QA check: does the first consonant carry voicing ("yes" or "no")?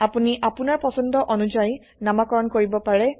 no